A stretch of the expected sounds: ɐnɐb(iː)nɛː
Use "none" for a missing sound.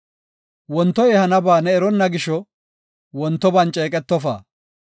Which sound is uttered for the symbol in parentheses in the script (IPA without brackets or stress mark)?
aː